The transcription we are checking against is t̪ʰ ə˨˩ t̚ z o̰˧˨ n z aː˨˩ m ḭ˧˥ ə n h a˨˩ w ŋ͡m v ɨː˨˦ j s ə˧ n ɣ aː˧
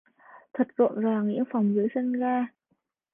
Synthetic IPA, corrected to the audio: t̪ʰ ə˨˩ t̚ z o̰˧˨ n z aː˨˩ ŋ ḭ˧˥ ə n f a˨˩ w ŋ͡m z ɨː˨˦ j s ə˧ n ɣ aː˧